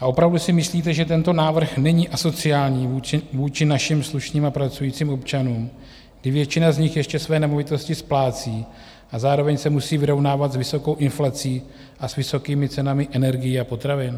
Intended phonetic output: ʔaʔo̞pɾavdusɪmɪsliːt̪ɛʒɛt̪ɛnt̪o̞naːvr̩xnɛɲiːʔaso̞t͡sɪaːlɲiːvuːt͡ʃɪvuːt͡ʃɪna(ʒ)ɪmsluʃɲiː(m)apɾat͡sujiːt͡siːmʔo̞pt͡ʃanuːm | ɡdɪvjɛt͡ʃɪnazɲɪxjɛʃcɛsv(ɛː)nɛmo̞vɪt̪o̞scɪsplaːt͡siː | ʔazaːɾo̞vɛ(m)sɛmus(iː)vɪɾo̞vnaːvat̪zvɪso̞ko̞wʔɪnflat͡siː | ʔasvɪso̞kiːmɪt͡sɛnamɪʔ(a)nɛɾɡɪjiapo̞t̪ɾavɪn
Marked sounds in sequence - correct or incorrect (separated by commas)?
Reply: incorrect, correct, correct, incorrect, correct, incorrect